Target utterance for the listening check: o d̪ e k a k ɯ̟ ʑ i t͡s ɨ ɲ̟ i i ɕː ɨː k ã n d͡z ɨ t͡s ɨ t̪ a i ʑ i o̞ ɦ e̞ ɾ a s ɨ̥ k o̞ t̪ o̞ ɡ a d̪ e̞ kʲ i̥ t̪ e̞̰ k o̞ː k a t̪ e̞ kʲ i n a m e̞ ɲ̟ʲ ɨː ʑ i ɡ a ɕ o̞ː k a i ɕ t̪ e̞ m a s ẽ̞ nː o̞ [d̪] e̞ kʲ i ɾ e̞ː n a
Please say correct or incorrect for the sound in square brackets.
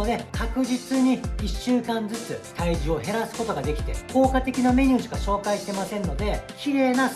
correct